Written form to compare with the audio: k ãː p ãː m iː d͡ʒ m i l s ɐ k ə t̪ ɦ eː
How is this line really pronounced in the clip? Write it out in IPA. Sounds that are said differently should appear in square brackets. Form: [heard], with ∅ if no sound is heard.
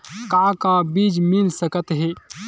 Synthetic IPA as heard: k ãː [k] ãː [b] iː d͡ʒ m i l s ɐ k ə t̪ ɦ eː